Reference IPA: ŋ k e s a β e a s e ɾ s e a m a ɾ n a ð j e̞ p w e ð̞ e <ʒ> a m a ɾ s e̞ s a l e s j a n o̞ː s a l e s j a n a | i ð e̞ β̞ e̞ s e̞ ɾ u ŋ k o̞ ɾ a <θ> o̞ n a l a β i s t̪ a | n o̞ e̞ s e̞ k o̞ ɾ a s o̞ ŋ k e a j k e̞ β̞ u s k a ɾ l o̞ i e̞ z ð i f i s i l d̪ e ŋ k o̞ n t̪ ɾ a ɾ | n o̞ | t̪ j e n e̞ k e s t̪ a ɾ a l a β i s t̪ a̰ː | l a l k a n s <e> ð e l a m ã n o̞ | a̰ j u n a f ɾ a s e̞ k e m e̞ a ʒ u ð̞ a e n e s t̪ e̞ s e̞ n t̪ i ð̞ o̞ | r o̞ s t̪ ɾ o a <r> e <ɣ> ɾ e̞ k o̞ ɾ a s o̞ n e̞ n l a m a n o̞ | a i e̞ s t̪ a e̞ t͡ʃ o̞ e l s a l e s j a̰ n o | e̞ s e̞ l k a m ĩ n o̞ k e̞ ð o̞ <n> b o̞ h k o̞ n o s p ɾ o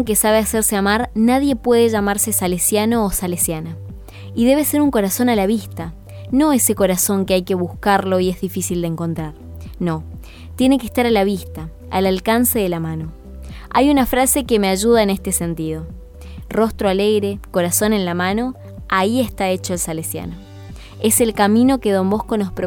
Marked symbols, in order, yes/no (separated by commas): yes, no, yes, no, yes, no